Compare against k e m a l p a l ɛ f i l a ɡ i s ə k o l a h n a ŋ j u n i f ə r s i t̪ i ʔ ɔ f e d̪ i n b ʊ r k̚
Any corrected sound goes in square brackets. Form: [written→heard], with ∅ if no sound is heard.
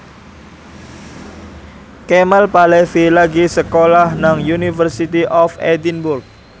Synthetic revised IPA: k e m a l p a l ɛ f i l a ɡ i s ə k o l a h n a ŋ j u n i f ə r s i t̪ i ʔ ɔ f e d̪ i n b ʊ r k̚